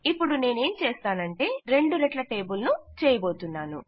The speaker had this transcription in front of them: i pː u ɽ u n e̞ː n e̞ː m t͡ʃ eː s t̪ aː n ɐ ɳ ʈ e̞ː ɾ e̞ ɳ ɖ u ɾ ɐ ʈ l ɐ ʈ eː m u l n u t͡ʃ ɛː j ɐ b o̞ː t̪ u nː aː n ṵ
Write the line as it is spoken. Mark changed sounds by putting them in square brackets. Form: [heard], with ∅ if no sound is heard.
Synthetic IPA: i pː u ɽ u n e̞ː n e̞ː m t͡ʃ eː s t̪ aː n ɐ ɳ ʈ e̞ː ɾ e̞ ɳ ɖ u ɾ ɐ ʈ l ɐ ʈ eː [b] u l n u t͡ʃ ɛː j ɐ b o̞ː t̪ u nː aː n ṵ

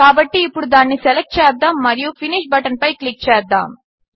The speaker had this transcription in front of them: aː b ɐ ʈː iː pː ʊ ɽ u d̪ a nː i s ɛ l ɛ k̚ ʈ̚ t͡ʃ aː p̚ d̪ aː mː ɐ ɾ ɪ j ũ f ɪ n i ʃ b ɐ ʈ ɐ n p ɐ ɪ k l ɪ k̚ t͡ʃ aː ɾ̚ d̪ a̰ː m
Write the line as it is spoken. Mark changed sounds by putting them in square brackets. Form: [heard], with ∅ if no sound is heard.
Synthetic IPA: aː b ɐ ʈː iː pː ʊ ɽ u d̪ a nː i s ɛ l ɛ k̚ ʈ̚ t͡ʃ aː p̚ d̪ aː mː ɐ ɾ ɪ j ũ f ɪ n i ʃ b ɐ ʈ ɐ n p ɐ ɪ k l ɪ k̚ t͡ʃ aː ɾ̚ d̪ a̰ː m

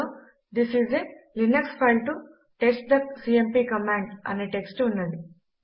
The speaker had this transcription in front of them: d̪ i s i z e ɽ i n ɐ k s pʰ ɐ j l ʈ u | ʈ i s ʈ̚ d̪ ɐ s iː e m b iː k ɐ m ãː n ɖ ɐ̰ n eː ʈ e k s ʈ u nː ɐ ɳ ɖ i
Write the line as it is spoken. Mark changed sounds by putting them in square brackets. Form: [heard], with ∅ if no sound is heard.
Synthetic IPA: d̪ i s i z e [l] i n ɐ k s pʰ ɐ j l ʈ u | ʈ [e] s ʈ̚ d̪ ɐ s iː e m [p] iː k ɐ m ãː [ɳ] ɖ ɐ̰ n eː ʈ e k s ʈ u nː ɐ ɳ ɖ i

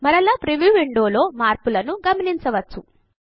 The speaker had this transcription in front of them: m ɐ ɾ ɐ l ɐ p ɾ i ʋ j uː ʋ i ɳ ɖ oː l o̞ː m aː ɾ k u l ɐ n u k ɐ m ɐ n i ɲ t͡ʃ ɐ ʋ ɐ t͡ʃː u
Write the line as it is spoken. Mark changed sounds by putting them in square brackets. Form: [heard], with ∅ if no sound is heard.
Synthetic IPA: m ɐ ɾ ɐ l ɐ p ɾ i ʋ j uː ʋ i ɳ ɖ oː l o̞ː m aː ɾ [p] u l ɐ n u [ɡ] ɐ m ɐ n i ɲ t͡ʃ ɐ ʋ ɐ t͡ʃː u

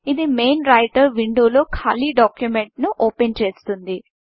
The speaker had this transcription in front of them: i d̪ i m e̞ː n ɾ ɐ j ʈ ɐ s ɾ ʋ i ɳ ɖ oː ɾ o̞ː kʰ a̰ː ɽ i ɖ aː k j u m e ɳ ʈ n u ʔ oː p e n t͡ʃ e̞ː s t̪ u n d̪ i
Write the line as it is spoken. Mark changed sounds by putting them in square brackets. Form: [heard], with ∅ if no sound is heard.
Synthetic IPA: i d̪ i m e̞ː n ɾ ɐ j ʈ ɐ [∅] ɾ ʋ i ɳ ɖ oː [l] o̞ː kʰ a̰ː [l] i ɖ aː k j u m e ɳ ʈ n u ʔ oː p e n t͡ʃ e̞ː s t̪ u n d̪ i

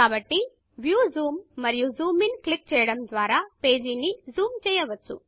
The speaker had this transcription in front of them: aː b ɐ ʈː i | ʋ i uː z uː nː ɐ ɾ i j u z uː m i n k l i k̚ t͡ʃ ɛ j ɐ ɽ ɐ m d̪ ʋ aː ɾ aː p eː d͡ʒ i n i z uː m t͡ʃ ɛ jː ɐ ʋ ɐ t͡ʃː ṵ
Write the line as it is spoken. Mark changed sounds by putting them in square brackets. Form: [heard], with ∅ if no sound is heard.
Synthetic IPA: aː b ɐ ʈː i | ʋ [j] uː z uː [mː] ɐ ɾ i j u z uː m i n k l i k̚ t͡ʃ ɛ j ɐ ɽ ɐ m d̪ ʋ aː ɾ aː p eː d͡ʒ i n i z uː m t͡ʃ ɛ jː ɐ ʋ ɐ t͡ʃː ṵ

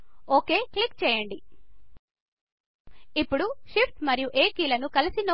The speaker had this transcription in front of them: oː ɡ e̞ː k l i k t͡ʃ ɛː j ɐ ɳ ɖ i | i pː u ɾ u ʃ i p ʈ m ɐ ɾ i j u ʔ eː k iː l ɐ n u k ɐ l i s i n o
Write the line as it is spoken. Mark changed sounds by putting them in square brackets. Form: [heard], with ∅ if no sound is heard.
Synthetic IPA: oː [k] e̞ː k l i k t͡ʃ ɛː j ɐ ɳ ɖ i | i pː u [ɽ] u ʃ i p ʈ m ɐ ɾ i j u ʔ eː k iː l ɐ n u k ɐ l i s i n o

